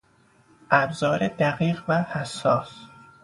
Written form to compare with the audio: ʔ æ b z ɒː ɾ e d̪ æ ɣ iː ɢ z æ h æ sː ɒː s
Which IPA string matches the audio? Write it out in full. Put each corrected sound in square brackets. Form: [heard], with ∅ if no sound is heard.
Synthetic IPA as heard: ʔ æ b z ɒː ɾ e d̪ æ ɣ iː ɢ [v] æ h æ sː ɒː s